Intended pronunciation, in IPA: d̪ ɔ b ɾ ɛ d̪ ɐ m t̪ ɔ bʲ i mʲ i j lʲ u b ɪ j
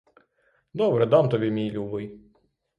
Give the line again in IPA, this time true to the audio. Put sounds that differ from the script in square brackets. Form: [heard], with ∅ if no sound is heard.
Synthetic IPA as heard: d̪ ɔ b ɾ ɛ d̪ [ɑ] m t̪ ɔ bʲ i mʲ i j lʲ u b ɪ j